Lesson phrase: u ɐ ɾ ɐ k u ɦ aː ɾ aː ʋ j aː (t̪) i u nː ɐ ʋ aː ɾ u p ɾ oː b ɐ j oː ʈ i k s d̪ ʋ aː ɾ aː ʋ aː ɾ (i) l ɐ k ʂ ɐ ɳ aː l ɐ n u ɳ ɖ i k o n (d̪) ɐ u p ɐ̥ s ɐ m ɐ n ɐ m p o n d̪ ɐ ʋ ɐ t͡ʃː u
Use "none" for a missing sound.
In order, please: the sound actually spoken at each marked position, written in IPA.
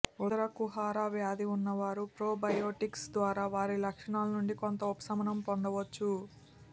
d̪, i, t̪

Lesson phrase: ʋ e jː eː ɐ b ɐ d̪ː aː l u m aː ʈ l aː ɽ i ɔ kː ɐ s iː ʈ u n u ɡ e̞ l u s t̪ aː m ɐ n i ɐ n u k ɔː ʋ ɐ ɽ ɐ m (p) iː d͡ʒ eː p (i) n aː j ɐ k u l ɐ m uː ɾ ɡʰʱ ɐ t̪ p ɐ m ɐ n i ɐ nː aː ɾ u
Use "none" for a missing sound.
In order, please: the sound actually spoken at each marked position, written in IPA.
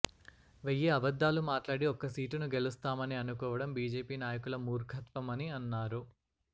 b, iː

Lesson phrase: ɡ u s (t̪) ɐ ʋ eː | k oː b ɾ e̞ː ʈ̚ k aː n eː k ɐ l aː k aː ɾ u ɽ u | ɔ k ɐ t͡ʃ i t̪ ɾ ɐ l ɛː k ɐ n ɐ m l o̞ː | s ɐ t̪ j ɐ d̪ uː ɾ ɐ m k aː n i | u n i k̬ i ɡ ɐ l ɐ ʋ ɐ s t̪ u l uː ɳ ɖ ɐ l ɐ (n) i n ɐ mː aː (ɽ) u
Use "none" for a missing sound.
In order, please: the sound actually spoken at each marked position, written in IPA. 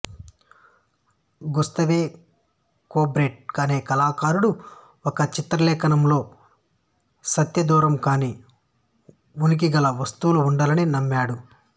t̪, n, ɽ

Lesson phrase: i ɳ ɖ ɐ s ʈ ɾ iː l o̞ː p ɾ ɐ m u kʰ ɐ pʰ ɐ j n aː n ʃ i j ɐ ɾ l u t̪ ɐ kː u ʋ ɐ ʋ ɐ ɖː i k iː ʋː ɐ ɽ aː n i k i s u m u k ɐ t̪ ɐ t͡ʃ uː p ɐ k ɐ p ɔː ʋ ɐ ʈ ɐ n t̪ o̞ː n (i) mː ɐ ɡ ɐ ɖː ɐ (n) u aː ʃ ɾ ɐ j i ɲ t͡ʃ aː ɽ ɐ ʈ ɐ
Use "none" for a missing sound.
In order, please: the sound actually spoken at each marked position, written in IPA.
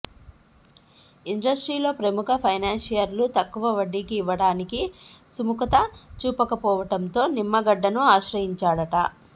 i, n

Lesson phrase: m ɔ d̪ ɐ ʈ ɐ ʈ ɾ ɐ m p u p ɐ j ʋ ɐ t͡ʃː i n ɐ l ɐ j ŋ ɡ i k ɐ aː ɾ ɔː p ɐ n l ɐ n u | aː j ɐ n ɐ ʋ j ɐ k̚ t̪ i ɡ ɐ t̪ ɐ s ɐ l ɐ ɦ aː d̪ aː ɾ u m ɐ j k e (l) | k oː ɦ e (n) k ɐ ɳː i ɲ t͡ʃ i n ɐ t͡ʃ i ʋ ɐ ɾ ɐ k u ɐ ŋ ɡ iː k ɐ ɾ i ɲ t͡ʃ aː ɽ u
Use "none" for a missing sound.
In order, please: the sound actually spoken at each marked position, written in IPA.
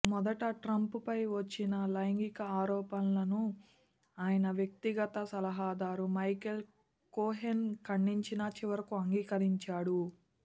l, n

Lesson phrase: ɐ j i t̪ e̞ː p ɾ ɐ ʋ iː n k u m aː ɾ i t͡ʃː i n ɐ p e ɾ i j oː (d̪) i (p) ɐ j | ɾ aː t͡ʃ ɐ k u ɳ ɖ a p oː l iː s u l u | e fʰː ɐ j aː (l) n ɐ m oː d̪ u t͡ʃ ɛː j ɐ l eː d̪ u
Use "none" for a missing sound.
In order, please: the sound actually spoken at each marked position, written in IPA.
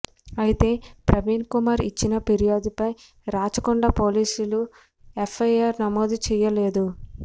d̪, p, ɾ

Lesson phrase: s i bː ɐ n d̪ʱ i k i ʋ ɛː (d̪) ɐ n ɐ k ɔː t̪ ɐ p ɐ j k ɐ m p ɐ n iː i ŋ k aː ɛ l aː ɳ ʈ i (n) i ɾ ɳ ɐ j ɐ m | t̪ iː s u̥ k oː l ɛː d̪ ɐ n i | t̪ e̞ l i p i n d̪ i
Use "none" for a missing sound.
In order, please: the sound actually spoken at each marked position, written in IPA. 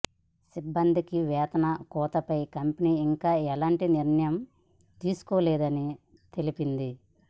t̪, n

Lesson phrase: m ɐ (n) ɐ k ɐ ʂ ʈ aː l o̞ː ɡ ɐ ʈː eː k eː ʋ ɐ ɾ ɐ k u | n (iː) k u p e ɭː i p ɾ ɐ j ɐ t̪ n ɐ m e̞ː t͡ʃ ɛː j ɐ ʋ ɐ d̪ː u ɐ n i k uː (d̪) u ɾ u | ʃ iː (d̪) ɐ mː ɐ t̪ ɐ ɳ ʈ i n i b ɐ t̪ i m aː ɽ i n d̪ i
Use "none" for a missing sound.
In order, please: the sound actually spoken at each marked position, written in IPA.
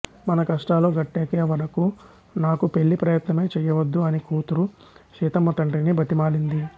n, aː, t̪, t̪

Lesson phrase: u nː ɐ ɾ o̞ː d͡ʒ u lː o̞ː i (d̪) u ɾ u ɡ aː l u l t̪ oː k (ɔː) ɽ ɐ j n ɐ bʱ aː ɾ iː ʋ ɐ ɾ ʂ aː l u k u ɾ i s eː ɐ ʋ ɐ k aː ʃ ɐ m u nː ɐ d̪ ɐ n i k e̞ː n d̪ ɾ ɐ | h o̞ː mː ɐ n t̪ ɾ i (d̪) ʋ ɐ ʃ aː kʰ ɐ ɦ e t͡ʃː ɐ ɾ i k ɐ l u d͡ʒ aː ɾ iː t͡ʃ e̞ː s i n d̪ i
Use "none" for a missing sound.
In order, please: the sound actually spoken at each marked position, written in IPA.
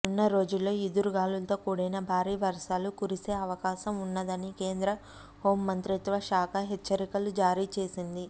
d̪, uː, t̪

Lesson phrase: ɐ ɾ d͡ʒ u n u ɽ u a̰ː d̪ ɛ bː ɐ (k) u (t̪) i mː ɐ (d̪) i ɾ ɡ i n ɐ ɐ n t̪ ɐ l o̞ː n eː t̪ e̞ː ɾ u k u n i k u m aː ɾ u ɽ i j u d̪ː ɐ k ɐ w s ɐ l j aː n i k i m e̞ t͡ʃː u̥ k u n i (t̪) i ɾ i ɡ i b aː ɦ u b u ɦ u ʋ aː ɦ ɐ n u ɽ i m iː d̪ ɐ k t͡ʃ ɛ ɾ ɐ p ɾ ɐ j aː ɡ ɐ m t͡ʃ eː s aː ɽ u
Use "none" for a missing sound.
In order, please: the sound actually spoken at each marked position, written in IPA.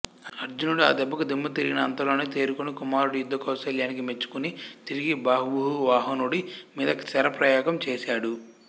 k, d̪, t̪, t̪

